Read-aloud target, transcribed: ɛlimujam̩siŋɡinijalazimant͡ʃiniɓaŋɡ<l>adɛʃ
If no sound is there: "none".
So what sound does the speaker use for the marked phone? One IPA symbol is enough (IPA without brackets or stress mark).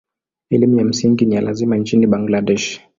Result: l